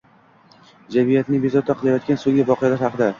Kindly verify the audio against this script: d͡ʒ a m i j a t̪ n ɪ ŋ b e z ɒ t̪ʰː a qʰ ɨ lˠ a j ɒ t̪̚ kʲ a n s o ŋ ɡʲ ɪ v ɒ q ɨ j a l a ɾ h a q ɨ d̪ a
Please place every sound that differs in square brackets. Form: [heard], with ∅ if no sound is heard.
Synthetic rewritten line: d͡ʒ a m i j a t̪ n ɪ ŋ b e z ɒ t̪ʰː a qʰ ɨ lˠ a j ɒ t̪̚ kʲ a n s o ŋ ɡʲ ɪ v ɒ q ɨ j a l a ɾ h [ɑ] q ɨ d̪ a